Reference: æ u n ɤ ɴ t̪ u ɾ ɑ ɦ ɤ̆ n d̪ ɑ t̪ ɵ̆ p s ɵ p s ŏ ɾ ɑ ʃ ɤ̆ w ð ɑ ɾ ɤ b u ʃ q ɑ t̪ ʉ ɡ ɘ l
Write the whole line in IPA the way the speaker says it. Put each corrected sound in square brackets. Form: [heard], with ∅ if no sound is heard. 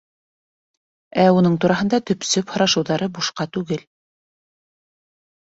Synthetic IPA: æ u n ɤ ɴ t̪ u ɾ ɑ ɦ ɤ̆ n d̪ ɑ t̪ ɵ̆ p s ɵ p [h] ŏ ɾ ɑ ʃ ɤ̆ w ð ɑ ɾ ɤ b u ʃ q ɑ t̪ ʉ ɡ ɘ l